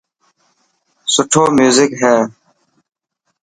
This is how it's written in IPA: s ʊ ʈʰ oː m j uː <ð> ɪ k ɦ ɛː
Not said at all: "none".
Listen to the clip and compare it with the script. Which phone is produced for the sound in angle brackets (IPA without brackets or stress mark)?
z